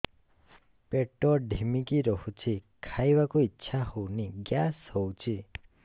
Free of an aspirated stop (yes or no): no